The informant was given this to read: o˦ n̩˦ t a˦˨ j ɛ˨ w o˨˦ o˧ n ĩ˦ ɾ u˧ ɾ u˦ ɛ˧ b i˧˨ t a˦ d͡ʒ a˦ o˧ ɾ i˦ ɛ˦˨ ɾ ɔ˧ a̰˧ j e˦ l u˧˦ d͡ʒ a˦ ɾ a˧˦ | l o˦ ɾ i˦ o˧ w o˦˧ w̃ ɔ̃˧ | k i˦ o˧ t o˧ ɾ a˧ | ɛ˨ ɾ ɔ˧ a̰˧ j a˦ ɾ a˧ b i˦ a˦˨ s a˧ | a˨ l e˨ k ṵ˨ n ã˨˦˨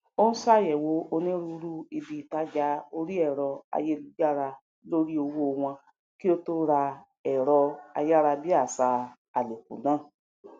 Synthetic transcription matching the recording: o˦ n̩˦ s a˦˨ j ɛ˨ w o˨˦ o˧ n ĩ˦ ɾ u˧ ɾ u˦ i˧ b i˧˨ t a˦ d͡ʒ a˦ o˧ ɾ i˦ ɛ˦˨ ɾ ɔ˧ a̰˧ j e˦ l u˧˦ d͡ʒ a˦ ɾ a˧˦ | l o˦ ɾ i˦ o˧ w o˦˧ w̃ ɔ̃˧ | k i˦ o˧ t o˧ ɾ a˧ | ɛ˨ ɾ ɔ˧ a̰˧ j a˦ ɾ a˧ b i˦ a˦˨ s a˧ | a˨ l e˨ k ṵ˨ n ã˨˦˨